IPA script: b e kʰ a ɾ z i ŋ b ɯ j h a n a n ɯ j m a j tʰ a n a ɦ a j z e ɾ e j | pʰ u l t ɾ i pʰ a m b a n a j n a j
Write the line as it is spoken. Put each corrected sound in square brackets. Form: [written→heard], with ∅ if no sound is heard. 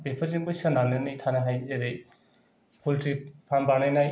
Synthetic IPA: b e [kʰ→pʰ] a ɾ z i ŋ b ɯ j [h→s] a n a n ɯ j [m→n] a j tʰ a n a ɦ a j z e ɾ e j | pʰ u l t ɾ i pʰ a m b a n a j n a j